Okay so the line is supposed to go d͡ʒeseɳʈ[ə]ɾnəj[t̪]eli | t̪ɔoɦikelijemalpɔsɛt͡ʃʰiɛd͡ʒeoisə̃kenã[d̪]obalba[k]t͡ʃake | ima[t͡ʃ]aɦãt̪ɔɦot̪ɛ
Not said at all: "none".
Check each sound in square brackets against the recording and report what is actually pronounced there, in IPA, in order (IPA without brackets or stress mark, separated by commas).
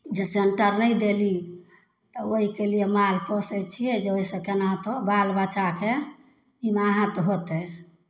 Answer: ə, d̪, t̪, none, none